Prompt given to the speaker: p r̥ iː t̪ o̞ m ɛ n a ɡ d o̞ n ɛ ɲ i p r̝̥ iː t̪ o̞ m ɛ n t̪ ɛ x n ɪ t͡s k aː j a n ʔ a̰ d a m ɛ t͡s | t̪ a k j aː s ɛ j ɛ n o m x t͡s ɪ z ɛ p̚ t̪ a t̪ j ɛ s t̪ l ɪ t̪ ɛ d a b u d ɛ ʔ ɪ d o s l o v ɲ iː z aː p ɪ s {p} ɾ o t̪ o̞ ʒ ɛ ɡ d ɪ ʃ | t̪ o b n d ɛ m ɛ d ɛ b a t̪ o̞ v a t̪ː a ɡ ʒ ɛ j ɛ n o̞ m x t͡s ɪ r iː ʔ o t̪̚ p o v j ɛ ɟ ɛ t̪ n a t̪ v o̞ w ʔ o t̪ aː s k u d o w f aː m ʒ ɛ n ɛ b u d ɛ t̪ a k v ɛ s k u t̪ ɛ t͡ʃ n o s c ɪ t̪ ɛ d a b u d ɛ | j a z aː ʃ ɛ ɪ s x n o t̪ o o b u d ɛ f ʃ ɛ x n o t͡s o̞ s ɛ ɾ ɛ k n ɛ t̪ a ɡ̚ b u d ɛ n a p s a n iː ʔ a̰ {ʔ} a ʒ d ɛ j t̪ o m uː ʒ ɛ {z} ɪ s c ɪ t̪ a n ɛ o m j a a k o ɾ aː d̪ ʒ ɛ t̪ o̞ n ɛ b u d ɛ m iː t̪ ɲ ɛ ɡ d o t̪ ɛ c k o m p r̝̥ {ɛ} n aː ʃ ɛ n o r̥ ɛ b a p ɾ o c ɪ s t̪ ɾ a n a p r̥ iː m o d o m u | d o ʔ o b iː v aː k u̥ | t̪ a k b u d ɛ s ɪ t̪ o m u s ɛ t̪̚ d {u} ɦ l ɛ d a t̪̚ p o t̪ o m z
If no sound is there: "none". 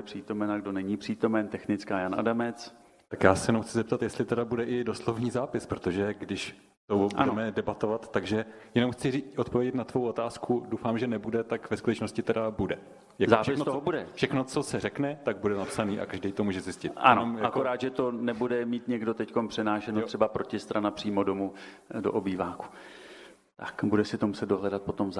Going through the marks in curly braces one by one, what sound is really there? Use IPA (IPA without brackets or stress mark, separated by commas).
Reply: p, k, z, ɛ, o